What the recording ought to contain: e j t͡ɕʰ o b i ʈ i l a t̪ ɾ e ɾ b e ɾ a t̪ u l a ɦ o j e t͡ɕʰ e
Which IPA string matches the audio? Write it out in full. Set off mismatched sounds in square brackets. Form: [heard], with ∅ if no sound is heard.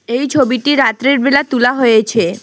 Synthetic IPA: e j t͡ɕʰ o b i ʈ i [ɾ] a t̪ ɾ e ɾ b e [l] a t̪ u l a ɦ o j e t͡ɕʰ e